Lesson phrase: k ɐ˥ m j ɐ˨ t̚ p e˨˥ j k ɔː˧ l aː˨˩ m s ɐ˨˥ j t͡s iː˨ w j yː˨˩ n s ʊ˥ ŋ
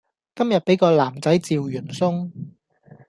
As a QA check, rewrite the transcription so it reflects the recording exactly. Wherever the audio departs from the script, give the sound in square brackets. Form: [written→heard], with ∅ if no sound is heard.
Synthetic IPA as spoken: k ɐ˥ m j ɐ˨ t̚ p e˨˥ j k ɔː˧ l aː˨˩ m [s→t͡s] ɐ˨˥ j t͡s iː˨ w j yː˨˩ n s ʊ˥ ŋ